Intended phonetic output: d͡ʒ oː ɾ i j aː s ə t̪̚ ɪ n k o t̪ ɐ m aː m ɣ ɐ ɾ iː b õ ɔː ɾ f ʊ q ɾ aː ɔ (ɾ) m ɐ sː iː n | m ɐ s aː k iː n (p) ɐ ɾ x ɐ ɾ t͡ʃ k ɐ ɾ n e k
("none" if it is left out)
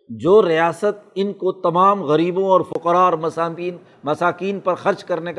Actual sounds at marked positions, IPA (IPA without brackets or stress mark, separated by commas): ɾ, p